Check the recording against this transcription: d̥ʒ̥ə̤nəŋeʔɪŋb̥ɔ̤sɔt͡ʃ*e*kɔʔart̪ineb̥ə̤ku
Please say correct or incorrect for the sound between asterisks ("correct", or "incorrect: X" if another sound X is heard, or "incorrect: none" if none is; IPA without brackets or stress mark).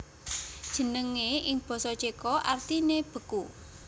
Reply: correct